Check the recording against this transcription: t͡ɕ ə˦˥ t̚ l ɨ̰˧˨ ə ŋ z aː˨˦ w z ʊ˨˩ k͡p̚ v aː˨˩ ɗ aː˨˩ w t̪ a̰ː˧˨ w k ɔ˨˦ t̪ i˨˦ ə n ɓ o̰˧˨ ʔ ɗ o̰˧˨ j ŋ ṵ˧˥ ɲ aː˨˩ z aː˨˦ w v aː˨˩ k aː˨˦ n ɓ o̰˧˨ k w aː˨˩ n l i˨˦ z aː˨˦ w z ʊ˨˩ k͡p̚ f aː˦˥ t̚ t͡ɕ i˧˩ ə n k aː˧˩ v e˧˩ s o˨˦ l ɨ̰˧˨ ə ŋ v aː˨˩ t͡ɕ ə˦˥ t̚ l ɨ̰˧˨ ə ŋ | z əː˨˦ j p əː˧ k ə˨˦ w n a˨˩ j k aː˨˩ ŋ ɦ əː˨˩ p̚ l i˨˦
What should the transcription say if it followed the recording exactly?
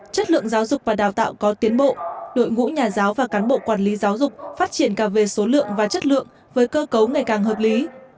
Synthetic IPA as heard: t͡ɕ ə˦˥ t̚ l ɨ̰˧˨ ə ŋ z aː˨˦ w z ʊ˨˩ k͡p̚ v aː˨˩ ɗ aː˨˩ w t̪ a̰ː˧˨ w k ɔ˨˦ t̪ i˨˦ ə n ɓ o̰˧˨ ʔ ɗ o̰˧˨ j ŋ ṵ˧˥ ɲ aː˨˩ z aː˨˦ w v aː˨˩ k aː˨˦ n ɓ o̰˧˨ k w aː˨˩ n l i˨˦ z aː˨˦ w z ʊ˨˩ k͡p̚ f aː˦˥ t̚ t͡ɕ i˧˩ ə n k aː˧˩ v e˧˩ s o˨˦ l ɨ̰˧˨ ə ŋ v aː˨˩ t͡ɕ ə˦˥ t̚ l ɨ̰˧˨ ə ŋ | v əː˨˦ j k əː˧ k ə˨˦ w ŋ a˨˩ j k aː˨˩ ŋ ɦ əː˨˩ p̚ l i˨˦